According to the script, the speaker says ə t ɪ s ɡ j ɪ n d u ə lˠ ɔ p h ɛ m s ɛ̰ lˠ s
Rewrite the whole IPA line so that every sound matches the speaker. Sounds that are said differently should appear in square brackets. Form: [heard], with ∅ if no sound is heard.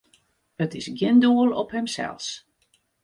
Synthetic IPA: ə t ɪ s ɡ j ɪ n d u ə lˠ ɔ p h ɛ m s ɛ̰ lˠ s